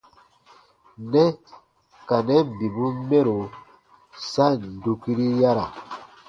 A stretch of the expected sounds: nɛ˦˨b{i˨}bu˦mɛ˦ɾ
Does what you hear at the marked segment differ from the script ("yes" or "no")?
no